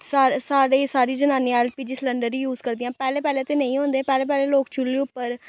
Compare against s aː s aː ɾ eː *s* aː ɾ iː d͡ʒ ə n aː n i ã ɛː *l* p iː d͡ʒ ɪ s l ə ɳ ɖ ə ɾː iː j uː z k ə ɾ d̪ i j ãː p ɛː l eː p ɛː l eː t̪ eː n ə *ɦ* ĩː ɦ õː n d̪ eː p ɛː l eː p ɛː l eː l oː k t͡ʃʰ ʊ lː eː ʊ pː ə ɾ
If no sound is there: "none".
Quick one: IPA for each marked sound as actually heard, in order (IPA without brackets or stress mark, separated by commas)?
s, l, none